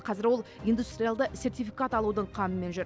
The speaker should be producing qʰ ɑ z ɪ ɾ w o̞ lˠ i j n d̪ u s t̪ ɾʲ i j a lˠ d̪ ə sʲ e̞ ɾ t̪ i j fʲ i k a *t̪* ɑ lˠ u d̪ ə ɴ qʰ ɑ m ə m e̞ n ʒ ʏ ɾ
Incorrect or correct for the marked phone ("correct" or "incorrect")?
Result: correct